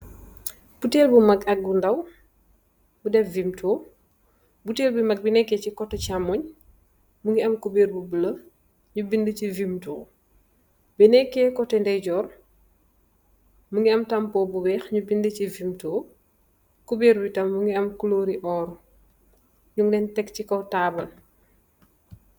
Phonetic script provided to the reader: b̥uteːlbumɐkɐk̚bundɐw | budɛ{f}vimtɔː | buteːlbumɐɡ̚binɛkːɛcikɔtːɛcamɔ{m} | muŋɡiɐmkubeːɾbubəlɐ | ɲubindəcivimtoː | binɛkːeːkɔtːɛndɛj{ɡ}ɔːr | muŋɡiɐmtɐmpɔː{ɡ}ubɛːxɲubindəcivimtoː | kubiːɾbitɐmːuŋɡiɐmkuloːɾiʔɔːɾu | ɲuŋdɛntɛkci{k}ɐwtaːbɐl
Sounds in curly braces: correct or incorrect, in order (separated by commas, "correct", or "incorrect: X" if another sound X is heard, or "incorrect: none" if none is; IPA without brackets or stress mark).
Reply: correct, incorrect: ɲ, incorrect: ɟ, incorrect: b, correct